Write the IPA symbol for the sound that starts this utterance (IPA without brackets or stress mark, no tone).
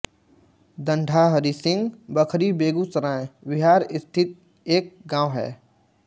d̪